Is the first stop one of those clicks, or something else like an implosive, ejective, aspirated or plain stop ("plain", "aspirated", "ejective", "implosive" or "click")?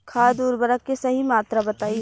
aspirated